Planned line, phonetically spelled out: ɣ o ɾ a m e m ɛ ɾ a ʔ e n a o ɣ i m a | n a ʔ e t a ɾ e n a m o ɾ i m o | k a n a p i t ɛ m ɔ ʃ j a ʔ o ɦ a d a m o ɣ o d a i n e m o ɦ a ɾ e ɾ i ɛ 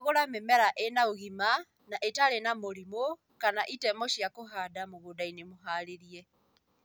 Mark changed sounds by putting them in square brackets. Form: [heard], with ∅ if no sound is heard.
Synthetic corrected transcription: ɣ o ɾ a m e m ɛ ɾ a ʔ e n a o ɣ i m a | n a ʔ e t a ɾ e n a m o ɾ i m o | k a n a [ʔ] i t ɛ m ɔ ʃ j a [k] o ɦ a d a m o ɣ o d a i n e m o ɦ a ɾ e ɾ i ɛ